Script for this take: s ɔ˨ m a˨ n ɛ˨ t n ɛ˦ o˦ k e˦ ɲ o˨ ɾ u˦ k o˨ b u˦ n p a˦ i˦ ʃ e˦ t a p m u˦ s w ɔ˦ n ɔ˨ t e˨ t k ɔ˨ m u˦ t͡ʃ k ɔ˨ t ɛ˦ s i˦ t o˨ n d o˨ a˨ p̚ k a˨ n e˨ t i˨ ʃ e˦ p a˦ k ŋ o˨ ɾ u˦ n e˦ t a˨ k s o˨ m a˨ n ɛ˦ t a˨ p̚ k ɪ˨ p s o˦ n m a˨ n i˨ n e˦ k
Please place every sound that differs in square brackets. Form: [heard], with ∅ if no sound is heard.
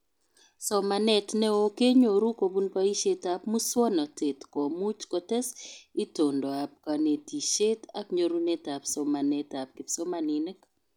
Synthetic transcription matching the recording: s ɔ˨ m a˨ n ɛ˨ t n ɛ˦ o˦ k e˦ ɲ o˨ ɾ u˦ k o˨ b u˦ n p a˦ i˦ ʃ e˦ t a p m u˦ s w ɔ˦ n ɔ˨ t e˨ t k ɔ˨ m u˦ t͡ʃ k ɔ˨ t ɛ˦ s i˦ t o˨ n d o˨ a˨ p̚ k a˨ n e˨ t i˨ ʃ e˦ [t] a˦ k [ɲ] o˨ ɾ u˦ n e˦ t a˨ [p] s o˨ m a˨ n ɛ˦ t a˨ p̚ k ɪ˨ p s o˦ [∅] m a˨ n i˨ n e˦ k